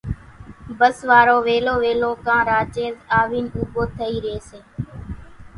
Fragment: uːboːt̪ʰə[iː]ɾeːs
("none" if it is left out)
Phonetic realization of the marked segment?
iː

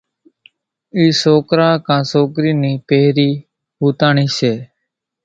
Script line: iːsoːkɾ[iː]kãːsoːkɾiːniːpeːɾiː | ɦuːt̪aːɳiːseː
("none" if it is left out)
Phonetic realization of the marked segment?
aː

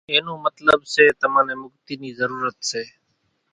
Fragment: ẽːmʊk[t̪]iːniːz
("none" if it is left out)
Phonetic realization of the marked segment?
t̪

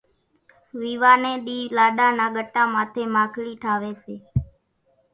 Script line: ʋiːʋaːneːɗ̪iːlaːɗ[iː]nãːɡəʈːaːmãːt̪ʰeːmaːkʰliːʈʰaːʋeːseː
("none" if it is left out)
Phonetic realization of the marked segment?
aː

